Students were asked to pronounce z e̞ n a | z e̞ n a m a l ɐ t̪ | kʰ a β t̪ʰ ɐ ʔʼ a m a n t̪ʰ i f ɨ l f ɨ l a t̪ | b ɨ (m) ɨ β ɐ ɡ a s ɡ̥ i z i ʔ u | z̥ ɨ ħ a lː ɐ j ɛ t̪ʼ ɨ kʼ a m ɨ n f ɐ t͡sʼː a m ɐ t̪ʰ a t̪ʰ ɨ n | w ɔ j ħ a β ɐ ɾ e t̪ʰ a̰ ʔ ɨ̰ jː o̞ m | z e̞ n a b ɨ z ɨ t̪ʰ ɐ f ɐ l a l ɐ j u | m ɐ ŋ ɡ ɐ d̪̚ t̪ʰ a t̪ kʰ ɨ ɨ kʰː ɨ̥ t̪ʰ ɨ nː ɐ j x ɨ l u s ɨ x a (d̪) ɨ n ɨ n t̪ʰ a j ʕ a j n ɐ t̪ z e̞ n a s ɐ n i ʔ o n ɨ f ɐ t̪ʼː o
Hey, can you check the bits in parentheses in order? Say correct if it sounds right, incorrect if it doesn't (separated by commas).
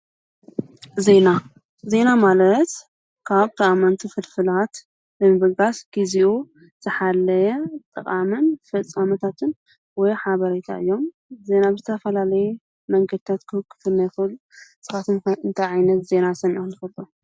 correct, incorrect